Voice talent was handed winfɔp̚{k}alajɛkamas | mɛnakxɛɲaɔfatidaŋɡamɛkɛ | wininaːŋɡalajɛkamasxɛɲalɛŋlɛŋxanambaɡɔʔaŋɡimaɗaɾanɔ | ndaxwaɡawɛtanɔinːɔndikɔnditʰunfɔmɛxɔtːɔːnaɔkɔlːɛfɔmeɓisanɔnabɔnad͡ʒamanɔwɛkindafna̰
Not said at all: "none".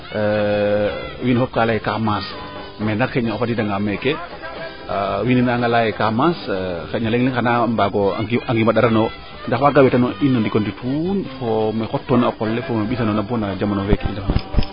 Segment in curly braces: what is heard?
k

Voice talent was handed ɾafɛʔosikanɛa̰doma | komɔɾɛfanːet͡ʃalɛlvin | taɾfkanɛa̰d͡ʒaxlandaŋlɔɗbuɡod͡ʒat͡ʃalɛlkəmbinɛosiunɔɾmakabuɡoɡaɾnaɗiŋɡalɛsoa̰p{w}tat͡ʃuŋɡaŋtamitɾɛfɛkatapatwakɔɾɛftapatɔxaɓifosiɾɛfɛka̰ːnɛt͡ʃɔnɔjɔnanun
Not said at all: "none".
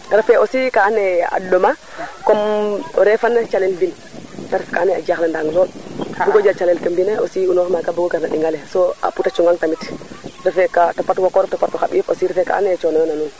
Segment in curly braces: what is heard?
u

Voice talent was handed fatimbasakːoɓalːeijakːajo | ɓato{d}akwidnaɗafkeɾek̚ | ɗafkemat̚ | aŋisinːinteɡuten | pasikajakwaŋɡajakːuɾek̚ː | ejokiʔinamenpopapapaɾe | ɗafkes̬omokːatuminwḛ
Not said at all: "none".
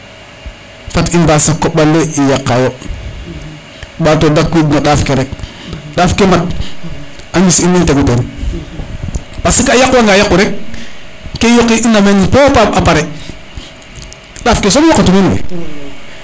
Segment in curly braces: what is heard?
d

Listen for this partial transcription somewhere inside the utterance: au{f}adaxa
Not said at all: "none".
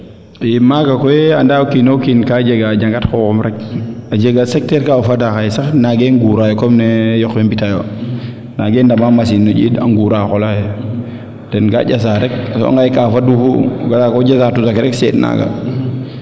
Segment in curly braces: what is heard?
f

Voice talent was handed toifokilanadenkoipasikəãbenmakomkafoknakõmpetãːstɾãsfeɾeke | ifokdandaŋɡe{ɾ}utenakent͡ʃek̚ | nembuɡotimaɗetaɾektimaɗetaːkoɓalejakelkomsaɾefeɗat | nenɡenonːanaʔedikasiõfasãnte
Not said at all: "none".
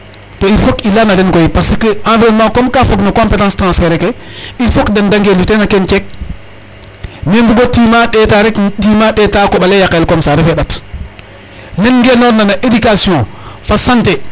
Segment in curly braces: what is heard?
l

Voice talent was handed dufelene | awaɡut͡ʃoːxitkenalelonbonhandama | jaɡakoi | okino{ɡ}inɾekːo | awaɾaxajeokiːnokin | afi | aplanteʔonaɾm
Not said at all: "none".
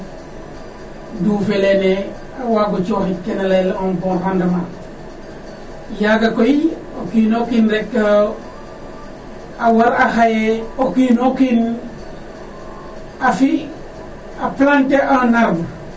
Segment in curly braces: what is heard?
k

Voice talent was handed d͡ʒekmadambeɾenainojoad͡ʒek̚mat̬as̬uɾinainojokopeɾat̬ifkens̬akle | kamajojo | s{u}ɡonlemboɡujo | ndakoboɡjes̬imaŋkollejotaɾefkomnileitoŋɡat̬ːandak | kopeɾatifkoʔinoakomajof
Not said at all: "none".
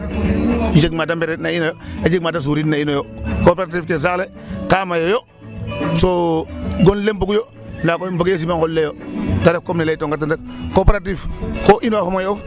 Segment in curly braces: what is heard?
o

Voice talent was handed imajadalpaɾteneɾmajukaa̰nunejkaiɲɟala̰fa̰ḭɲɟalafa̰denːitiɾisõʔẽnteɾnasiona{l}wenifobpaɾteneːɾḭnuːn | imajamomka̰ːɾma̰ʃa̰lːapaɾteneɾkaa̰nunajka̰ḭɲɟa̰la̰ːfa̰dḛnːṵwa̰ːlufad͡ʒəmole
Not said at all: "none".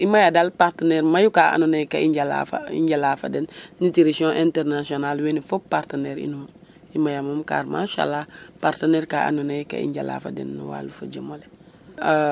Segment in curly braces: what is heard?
l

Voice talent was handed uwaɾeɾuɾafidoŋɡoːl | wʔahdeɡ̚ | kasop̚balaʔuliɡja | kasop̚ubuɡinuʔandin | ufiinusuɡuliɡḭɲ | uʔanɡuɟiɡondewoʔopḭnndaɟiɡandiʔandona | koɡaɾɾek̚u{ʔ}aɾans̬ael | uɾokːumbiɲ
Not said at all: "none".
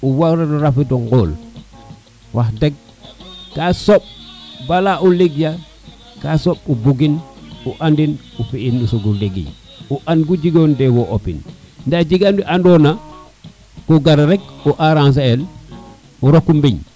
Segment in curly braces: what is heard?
ʔ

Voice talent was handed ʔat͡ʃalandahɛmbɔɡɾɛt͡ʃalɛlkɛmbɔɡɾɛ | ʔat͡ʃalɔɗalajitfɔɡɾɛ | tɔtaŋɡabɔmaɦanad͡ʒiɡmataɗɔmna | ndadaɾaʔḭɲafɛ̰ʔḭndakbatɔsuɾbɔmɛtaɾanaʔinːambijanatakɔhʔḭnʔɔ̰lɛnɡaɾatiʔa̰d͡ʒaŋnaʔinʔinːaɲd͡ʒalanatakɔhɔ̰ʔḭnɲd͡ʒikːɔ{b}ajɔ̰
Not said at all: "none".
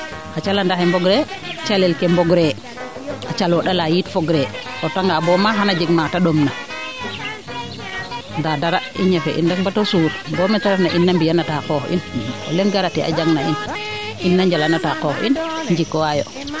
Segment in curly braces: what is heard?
w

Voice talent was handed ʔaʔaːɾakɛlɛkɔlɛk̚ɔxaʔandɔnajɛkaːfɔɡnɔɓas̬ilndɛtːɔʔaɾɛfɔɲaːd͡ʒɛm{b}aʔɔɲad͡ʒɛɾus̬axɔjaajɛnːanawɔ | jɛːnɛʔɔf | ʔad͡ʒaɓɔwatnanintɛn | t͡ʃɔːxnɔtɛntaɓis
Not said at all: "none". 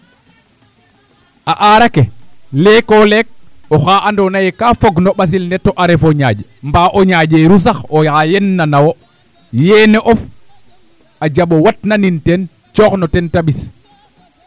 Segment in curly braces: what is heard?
b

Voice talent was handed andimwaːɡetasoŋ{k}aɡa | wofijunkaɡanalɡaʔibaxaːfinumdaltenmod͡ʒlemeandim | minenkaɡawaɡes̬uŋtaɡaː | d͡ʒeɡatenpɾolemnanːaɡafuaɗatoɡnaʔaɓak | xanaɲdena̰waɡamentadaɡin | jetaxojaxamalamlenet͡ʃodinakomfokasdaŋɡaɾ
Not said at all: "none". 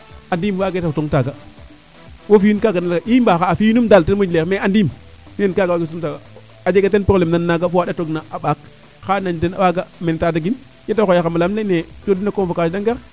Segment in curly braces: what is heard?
t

